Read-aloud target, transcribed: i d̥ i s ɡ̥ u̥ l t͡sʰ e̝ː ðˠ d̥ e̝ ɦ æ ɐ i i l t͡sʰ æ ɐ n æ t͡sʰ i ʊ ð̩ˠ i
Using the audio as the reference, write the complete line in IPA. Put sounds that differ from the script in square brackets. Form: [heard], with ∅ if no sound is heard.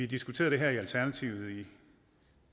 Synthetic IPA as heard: i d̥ i s ɡ̥ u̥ [∅] t͡sʰ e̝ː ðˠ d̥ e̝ ɦ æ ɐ i [æ] l t͡sʰ æ ɐ n æ t͡sʰ i ʊ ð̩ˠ i